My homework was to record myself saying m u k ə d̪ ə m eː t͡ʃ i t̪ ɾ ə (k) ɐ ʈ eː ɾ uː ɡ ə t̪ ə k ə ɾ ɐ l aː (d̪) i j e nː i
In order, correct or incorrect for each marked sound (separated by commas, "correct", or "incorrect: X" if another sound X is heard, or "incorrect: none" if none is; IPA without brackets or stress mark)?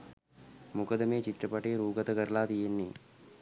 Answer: incorrect: p, incorrect: t̪